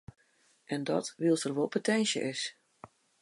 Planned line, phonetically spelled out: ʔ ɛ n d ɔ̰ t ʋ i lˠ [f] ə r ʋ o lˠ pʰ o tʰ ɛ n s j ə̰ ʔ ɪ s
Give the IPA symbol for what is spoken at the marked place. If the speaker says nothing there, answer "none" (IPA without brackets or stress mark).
s